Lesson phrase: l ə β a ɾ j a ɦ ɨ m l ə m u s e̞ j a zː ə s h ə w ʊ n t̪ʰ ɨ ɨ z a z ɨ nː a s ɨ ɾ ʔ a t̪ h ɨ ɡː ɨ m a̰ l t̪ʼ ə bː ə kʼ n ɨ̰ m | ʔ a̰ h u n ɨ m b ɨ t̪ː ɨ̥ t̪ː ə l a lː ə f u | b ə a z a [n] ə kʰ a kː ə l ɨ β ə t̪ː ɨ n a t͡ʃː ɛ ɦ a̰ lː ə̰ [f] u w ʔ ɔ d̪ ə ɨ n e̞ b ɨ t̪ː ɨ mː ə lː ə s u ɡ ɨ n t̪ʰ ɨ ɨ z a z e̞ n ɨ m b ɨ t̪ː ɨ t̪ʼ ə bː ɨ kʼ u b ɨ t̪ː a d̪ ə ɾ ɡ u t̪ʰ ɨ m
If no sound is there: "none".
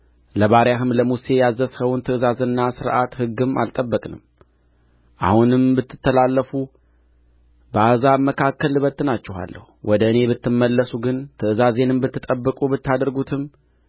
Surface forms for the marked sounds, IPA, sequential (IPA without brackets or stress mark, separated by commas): m, h